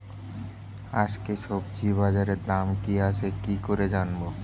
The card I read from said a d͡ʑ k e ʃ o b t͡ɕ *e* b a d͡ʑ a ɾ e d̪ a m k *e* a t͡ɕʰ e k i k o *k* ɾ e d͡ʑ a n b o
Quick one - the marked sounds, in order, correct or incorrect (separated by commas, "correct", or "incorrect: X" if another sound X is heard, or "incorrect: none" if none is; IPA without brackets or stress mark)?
incorrect: i, incorrect: i, incorrect: none